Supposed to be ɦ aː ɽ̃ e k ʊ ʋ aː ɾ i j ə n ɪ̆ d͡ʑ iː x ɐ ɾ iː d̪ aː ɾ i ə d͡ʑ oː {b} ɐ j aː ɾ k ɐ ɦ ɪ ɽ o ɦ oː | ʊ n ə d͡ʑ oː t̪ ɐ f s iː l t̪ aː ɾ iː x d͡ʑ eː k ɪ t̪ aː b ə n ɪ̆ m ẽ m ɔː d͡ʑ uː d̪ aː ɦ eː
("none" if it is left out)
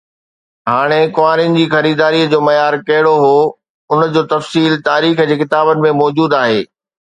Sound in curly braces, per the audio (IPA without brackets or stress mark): m